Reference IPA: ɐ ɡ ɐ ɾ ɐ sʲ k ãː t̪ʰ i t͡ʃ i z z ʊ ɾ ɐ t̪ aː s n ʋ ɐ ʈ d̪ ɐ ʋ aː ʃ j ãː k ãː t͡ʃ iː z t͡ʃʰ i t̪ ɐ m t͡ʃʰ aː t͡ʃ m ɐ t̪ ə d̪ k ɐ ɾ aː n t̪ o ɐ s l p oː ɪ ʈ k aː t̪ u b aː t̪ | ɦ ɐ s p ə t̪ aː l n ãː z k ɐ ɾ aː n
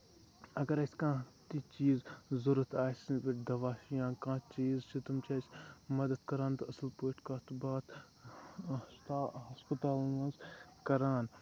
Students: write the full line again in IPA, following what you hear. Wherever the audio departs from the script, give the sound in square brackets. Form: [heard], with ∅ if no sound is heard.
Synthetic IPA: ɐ ɡ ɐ ɾ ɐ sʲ k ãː [t̪] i t͡ʃ [iː] z z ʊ ɾ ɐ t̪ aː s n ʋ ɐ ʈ d̪ ɐ ʋ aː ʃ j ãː k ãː t͡ʃ iː z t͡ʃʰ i t̪ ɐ m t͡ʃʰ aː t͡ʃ m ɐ [d̪] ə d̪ k ɐ ɾ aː n t̪ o ɐ s l p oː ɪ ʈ k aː t̪ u b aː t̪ | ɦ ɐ s p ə t̪ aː l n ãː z k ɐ ɾ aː n